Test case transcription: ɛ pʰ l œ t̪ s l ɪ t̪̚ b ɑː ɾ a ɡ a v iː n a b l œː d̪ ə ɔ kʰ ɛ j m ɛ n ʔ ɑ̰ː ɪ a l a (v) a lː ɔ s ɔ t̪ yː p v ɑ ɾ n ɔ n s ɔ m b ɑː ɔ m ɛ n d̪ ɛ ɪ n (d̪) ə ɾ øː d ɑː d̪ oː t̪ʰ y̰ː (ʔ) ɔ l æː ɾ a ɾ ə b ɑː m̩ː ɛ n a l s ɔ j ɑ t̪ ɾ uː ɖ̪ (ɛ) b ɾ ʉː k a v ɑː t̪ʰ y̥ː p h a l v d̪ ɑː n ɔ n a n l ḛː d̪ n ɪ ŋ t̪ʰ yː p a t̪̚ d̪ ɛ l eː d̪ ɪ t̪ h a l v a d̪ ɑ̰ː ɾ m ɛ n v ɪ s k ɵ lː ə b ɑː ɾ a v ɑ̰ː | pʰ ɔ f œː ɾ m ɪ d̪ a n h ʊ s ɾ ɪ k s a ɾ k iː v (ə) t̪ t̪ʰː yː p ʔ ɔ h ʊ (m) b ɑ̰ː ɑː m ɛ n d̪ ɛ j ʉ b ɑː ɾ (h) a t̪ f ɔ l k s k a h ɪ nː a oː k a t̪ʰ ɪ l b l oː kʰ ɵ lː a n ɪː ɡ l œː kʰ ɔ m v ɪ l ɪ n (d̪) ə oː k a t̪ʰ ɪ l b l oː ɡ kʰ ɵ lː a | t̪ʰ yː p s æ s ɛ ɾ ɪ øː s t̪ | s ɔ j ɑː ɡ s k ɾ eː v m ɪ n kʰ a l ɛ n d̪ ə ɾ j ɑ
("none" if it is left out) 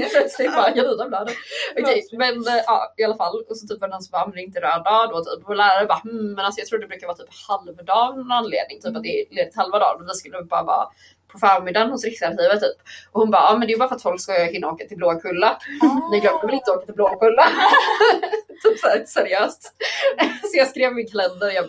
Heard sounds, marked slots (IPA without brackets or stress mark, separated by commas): f, t̪, p, ɛ, ə, n, f, t̪